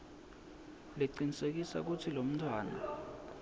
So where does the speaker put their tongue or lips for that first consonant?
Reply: tongue tip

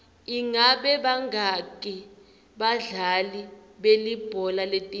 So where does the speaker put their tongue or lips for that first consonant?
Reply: velum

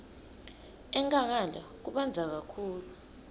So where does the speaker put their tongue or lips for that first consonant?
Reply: velum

